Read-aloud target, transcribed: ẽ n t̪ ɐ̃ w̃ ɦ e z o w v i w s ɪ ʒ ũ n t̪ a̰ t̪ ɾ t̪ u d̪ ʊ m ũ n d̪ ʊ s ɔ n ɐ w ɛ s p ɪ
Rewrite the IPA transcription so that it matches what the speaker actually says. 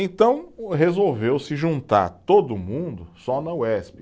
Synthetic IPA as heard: ẽ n t̪ ɐ̃ w̃ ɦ e z o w v e w s ɪ ʒ ũ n t̪ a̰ ɾ t̪ o d̪ ʊ m ũ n d̪ ʊ s ɔ n ɐ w ɛ s p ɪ